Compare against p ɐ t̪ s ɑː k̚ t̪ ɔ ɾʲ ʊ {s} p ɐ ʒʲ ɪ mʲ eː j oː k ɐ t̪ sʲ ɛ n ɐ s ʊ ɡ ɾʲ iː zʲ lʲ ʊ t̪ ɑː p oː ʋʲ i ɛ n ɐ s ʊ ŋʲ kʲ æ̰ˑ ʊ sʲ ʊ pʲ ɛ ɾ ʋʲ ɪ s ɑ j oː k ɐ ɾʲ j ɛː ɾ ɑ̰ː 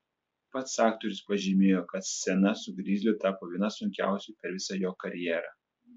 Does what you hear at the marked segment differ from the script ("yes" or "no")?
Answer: no